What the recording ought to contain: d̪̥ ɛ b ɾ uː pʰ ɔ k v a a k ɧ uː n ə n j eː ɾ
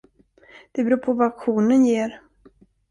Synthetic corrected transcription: d̪̥ ɛ b ɾ uː pʰ ɔ v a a k ɧ uː n ə n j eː ɾ